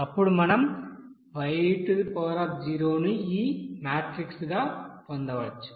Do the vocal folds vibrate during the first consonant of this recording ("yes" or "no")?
no